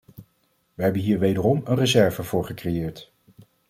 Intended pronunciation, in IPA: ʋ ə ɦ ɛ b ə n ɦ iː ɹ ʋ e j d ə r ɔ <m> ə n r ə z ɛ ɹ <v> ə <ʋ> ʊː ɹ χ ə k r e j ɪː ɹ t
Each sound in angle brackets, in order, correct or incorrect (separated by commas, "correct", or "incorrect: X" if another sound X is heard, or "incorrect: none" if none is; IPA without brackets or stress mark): correct, correct, incorrect: v